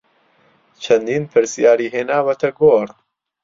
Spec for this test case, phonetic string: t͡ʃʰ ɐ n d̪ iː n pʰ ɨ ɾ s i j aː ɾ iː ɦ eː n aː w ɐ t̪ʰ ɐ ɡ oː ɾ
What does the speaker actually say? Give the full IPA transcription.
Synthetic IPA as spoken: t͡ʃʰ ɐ n d̪ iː n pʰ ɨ ɾ s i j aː ɾ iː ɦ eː n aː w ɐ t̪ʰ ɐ ɡ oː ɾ